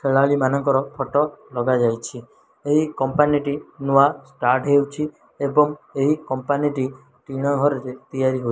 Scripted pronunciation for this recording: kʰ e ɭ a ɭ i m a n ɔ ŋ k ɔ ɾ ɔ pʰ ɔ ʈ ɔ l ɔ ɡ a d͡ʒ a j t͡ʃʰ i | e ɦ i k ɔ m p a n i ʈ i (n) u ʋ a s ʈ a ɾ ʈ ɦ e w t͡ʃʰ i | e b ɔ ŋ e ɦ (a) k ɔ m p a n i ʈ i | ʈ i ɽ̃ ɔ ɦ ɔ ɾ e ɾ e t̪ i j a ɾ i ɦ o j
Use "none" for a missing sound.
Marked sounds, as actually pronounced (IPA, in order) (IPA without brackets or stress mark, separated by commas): n, i